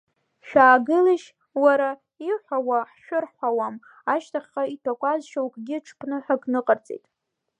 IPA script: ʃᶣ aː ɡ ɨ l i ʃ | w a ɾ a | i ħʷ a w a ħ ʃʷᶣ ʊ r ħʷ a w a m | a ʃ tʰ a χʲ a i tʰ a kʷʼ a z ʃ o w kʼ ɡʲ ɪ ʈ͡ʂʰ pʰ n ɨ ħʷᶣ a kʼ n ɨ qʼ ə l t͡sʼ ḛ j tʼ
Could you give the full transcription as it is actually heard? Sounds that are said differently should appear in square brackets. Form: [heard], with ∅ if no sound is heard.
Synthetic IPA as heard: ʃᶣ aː ɡ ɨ l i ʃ | w a ɾ a | i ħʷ a w a ħ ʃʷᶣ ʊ r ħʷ a w a m | a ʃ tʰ a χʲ a i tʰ a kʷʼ a z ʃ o w kʼ ɡʲ ɪ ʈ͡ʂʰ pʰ n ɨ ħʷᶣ a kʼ n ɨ qʼ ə [r] t͡sʼ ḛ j tʼ